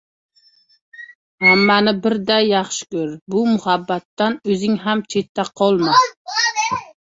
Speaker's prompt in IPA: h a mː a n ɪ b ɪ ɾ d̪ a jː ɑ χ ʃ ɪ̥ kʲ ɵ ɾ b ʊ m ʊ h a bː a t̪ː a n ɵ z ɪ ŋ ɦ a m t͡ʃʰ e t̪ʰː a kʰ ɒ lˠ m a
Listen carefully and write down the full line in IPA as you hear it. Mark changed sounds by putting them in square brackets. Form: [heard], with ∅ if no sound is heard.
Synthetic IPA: h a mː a n ɪ b ɪ ɾ d̪ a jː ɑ χ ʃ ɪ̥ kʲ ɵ ɾ b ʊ m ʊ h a bː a t̪ː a n ɵ z ɪ ŋ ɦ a m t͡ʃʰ e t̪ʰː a [qʰ] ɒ lˠ m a